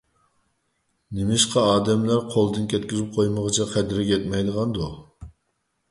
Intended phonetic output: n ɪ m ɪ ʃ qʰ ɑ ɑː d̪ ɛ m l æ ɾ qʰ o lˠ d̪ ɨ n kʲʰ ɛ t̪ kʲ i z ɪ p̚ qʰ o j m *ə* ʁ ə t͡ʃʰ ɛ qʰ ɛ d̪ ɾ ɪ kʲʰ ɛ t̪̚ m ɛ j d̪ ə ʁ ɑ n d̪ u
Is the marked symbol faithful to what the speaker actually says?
yes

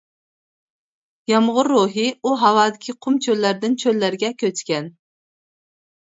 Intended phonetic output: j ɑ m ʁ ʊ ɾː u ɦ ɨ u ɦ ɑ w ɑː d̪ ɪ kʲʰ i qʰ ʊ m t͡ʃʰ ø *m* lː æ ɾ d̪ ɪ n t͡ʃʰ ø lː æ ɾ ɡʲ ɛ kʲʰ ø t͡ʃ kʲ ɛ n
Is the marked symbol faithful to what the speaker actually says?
no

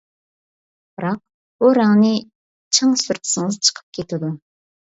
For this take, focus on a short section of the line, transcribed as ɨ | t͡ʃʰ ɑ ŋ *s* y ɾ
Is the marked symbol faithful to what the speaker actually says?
yes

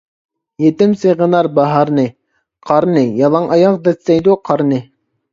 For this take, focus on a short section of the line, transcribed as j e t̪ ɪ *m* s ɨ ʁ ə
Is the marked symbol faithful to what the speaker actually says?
yes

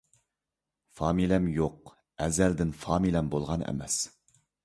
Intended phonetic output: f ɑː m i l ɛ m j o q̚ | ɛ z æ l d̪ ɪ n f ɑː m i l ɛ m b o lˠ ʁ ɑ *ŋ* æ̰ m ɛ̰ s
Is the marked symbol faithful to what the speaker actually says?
no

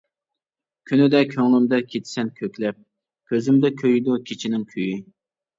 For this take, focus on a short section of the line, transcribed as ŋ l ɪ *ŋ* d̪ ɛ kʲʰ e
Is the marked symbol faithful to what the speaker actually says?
no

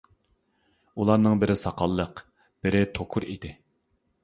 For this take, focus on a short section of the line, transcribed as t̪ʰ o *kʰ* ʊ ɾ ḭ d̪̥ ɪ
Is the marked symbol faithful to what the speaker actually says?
yes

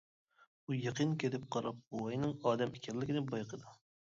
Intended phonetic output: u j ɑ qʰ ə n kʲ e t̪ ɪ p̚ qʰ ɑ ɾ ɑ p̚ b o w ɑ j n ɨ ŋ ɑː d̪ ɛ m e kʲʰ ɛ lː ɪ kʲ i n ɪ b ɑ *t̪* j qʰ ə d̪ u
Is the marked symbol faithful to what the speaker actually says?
no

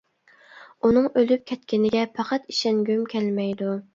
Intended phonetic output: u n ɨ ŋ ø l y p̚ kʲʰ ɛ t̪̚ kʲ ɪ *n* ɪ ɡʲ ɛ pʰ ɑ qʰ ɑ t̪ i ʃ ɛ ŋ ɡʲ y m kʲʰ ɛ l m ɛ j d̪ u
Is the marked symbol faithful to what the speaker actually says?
yes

